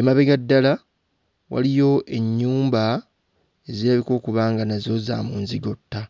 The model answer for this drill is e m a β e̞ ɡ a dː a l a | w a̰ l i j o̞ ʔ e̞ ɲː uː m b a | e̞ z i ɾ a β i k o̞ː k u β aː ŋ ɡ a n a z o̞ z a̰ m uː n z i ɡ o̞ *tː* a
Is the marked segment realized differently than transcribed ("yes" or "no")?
no